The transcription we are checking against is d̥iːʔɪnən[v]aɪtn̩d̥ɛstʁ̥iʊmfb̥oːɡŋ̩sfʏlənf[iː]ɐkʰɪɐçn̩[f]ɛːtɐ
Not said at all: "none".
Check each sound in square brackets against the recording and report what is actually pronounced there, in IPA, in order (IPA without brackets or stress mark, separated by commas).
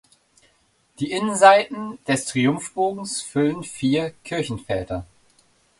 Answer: z, iː, f